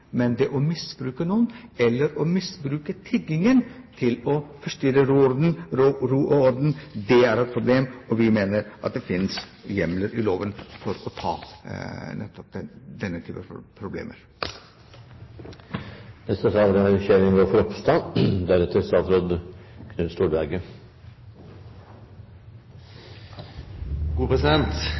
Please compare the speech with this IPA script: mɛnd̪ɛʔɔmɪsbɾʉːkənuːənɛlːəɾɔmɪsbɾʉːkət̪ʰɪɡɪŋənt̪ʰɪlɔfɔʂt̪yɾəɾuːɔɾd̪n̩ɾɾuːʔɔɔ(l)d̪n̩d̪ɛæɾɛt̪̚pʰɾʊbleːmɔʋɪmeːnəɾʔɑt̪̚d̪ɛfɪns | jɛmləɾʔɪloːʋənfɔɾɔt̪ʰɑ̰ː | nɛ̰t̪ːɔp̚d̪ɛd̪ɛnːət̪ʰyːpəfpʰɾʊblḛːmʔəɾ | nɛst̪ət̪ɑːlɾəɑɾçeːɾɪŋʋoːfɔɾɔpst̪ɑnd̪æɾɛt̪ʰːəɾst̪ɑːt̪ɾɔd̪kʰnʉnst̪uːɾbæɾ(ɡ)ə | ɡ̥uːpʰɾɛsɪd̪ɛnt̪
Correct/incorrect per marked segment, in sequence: incorrect, correct

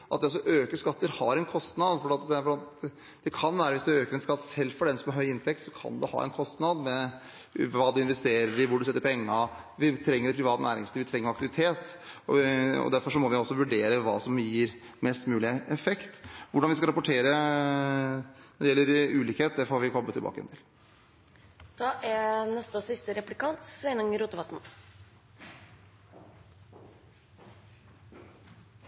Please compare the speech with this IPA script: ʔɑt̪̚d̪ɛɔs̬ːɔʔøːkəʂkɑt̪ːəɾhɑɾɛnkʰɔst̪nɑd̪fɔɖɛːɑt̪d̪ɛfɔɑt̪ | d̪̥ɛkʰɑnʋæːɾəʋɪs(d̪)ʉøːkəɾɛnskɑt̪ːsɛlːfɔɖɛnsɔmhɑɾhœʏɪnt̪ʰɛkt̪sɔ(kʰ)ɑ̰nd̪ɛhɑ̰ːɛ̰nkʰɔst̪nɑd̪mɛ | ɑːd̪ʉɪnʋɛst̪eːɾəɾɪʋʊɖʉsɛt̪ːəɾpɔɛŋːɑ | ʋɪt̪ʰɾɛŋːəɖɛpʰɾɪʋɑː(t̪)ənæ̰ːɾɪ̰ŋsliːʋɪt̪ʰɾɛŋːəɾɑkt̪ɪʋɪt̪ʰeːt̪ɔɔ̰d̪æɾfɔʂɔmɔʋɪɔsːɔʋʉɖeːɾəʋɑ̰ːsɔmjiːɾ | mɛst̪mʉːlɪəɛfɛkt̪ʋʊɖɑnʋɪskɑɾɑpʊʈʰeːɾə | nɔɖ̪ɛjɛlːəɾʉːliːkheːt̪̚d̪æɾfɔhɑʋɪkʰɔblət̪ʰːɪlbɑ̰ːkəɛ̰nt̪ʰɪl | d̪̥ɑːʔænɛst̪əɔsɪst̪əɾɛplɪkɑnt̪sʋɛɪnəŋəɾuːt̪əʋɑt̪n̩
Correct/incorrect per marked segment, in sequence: correct, correct, correct

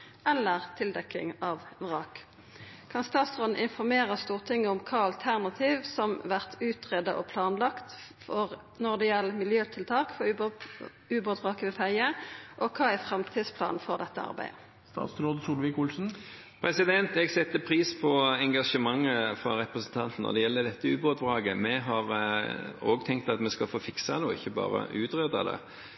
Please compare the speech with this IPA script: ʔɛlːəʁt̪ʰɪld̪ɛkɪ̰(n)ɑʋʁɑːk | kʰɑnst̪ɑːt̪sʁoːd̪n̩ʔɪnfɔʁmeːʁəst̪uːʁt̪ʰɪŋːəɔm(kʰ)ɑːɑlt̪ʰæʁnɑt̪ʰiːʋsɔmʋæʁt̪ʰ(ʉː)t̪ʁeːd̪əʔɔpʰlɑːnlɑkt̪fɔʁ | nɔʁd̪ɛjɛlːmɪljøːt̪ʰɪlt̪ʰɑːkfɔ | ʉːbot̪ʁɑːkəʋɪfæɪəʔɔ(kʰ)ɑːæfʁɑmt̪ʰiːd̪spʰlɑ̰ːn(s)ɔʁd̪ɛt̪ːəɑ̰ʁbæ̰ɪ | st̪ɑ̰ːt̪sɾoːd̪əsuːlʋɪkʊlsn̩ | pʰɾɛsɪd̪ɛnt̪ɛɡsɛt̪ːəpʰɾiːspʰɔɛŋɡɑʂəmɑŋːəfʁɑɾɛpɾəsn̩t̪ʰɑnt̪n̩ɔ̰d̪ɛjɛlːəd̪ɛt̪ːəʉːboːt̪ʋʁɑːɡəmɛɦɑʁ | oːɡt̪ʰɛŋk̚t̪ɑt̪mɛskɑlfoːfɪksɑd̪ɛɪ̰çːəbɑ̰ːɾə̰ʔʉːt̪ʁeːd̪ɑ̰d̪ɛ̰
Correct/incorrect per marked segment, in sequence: incorrect, correct, correct, correct, incorrect

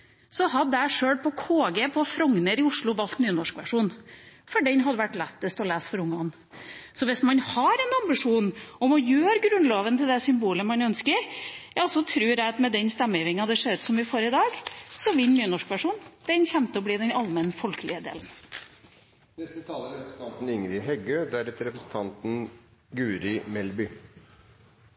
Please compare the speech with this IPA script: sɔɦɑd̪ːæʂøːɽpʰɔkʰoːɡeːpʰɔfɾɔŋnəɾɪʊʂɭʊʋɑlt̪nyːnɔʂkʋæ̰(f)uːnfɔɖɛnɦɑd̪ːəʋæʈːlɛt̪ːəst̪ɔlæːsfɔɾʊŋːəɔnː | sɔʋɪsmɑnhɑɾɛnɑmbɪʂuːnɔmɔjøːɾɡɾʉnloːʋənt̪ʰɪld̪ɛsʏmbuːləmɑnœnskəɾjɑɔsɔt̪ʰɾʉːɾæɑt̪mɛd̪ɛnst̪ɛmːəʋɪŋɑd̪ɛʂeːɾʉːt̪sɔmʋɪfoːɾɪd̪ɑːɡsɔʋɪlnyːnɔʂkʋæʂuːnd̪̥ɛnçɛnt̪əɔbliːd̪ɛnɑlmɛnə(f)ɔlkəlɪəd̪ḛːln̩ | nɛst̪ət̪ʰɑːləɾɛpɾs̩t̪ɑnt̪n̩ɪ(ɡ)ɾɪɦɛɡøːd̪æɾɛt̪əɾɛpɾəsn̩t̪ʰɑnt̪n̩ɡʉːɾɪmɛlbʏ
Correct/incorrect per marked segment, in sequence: incorrect, correct, incorrect

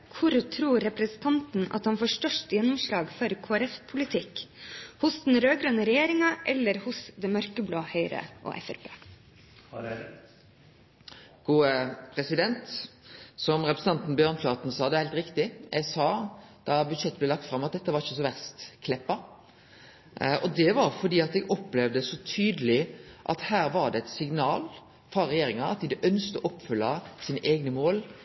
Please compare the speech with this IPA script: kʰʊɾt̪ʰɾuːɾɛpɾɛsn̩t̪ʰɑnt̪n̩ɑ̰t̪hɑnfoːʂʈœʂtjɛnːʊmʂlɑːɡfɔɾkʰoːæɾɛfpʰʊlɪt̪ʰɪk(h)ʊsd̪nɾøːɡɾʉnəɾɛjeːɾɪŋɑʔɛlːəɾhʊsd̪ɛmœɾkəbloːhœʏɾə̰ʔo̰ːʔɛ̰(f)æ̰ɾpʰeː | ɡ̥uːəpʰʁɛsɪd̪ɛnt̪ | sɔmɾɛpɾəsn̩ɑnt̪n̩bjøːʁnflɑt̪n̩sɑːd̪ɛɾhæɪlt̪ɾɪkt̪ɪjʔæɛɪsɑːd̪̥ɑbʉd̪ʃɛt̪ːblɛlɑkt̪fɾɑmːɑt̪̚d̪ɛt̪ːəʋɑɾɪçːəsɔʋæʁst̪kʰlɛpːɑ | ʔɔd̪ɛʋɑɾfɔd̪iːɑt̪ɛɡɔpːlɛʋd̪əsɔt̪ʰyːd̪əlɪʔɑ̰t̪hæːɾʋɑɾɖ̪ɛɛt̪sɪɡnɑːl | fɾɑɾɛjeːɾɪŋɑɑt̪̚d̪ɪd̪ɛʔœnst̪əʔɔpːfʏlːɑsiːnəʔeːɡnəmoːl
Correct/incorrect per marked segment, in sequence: correct, correct

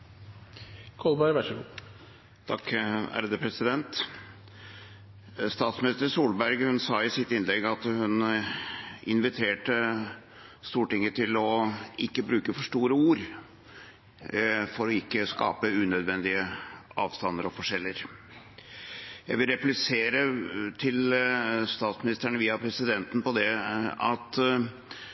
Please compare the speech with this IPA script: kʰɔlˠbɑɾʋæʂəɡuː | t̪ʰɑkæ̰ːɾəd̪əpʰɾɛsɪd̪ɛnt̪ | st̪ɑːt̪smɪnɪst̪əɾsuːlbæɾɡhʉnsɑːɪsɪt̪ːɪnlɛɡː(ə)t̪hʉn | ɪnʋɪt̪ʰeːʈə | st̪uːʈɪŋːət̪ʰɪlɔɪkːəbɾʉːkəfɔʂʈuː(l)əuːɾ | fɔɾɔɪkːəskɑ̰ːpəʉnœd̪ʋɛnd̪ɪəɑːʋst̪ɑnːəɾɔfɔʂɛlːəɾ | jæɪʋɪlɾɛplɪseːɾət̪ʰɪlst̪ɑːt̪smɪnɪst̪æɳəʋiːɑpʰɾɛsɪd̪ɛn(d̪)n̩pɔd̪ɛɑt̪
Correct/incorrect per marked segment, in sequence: incorrect, incorrect, incorrect

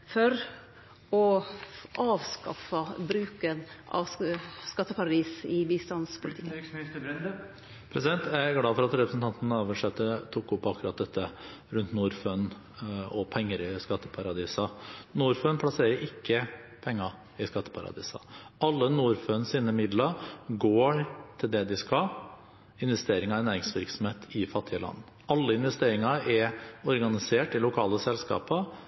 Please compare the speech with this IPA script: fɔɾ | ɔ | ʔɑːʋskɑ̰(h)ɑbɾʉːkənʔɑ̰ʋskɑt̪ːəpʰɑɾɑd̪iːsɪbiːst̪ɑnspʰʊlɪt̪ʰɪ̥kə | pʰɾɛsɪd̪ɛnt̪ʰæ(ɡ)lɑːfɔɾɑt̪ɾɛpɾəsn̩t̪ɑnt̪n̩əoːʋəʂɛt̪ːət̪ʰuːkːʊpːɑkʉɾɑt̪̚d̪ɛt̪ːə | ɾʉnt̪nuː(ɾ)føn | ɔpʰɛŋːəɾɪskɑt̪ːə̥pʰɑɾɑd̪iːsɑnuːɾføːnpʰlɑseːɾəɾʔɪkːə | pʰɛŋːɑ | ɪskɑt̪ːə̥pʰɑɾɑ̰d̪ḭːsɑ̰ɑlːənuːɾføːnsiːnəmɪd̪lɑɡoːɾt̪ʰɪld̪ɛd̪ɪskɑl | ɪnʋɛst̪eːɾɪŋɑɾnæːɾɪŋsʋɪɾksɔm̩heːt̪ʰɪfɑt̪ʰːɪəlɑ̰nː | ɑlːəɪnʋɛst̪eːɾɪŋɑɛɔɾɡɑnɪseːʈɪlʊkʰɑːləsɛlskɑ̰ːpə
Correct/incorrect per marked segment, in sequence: incorrect, correct, correct

